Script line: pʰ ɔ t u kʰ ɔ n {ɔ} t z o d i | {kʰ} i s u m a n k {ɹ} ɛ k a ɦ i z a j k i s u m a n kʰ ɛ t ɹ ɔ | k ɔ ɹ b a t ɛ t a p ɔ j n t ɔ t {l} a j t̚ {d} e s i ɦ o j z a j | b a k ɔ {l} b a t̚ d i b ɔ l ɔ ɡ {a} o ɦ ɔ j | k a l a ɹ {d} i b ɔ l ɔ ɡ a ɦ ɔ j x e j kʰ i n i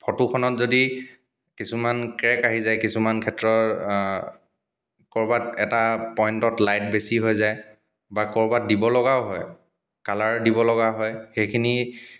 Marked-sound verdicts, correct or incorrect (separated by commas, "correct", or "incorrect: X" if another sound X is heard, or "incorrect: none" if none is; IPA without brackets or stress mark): correct, incorrect: k, correct, correct, incorrect: b, incorrect: ɹ, correct, correct